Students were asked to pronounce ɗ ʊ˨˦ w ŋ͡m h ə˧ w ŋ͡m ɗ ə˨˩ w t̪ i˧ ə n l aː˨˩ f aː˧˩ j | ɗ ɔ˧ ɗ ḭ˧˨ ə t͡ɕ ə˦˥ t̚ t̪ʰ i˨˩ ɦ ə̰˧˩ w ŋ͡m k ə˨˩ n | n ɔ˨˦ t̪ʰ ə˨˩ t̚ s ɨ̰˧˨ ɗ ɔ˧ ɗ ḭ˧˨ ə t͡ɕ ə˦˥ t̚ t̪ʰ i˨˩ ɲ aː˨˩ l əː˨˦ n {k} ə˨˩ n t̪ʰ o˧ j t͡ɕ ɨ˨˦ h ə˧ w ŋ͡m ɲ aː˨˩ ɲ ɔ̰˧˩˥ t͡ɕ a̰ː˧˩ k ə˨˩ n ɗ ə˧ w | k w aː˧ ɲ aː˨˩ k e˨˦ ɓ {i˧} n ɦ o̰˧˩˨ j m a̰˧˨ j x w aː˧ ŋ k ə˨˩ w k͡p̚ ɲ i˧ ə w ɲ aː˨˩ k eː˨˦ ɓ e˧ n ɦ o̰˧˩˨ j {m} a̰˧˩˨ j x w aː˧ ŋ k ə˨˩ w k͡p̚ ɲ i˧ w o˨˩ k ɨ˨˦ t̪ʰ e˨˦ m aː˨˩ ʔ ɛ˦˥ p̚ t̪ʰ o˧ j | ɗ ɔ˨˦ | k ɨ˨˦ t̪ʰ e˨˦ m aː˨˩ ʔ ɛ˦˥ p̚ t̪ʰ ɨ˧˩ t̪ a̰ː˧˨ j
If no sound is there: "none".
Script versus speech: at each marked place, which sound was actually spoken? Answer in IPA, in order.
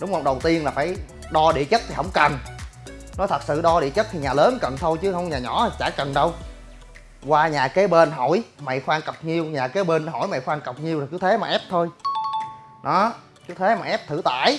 k, e˧, m

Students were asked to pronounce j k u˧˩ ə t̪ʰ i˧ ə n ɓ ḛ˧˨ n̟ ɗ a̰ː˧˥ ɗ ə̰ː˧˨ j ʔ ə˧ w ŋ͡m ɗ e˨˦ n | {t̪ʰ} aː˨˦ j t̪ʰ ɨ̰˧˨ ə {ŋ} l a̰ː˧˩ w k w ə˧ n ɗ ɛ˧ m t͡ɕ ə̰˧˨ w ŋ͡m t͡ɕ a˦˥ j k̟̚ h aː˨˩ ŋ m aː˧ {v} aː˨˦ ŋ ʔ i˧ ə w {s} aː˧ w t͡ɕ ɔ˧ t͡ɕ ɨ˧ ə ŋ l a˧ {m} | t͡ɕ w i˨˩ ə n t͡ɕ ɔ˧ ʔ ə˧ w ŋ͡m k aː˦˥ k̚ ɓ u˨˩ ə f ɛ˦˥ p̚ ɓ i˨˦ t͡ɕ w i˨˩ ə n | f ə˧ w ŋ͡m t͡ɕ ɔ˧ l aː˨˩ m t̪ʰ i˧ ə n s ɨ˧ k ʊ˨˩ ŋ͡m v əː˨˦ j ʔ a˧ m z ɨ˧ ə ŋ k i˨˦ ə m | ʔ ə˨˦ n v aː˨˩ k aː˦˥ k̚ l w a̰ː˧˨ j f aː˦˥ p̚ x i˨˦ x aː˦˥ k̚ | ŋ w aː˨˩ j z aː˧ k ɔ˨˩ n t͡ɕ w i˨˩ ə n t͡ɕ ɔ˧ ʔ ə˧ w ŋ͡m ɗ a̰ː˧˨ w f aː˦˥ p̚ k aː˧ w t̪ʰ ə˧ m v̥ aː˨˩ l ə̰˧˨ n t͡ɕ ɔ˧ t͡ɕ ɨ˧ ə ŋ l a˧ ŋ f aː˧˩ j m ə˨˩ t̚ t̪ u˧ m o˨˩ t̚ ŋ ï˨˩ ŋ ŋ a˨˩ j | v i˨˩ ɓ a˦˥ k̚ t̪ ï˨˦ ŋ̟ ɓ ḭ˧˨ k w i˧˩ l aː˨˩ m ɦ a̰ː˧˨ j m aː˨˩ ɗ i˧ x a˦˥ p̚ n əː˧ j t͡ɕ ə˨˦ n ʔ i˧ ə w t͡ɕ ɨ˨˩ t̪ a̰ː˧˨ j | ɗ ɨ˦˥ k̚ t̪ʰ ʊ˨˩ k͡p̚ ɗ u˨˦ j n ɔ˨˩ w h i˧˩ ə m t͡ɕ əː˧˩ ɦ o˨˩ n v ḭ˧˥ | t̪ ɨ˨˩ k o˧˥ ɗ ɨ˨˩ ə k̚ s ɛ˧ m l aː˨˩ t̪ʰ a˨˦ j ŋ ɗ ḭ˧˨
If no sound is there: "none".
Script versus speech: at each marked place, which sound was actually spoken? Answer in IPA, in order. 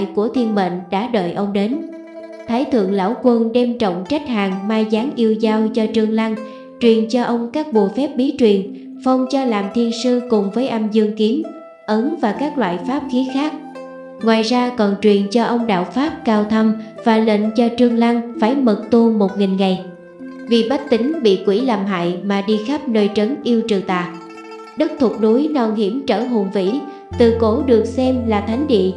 t̪ʰ, ŋ, z, z, ŋ

